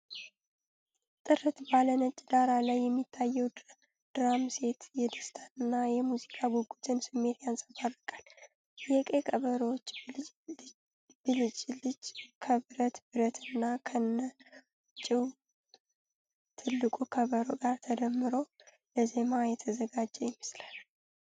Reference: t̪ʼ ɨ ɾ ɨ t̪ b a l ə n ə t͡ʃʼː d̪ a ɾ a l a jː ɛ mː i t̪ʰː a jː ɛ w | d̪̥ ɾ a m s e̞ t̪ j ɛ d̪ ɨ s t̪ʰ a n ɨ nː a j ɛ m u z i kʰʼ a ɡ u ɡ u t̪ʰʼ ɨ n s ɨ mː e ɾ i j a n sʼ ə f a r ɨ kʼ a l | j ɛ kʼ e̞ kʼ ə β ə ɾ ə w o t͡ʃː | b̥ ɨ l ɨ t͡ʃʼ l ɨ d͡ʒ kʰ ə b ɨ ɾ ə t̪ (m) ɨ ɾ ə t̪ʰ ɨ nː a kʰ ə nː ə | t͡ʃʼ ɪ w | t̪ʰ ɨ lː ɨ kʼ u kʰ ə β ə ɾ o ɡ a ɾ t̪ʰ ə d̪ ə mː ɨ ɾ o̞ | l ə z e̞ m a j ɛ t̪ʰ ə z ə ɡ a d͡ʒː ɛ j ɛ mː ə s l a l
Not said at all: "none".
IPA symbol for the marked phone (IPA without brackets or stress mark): b